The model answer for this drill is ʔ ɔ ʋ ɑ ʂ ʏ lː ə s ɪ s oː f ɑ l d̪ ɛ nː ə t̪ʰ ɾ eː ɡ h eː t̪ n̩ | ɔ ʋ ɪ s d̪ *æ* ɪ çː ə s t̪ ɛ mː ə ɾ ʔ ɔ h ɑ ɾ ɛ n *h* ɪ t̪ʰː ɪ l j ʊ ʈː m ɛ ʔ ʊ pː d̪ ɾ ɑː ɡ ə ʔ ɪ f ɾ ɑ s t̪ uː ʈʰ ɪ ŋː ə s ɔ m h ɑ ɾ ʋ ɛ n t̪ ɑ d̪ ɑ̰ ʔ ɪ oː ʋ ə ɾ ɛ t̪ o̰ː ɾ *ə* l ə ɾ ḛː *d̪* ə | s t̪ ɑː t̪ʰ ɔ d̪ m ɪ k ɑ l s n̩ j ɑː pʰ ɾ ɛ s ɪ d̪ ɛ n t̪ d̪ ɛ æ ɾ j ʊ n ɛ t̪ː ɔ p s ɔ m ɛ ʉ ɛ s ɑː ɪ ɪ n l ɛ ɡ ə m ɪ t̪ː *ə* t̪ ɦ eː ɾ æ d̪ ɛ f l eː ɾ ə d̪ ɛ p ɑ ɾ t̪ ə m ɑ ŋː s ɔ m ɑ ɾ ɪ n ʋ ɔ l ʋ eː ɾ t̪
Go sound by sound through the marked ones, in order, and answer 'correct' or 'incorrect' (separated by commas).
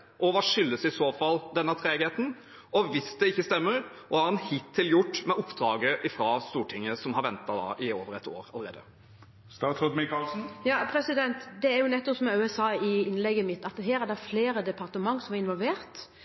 incorrect, correct, incorrect, correct, incorrect